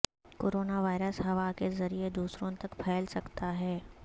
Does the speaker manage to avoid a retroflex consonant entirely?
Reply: yes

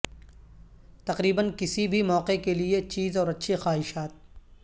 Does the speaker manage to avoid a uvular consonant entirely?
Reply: no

